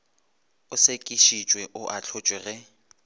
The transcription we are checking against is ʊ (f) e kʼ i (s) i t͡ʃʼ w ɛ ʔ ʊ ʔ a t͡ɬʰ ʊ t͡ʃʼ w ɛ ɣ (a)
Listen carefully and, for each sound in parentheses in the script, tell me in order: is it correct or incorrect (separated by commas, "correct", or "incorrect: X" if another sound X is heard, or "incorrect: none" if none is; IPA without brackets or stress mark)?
incorrect: s, incorrect: ʃ, incorrect: ɛ